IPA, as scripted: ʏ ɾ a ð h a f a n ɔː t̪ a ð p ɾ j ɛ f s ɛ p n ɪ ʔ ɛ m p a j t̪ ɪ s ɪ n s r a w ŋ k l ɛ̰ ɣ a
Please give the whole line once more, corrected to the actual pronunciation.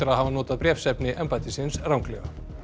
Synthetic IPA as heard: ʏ ɾ a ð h a v a n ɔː t̪ a ð p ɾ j ɛ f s ɛ p n ɪ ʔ ɛ m p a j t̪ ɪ s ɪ n s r a w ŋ k l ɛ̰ ɣ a